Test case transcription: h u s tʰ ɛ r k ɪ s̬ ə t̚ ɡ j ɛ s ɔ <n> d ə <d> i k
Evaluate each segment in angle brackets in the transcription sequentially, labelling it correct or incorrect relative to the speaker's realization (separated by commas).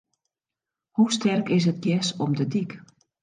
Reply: incorrect, correct